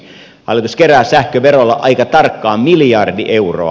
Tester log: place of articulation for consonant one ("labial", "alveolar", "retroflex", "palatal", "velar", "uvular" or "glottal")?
glottal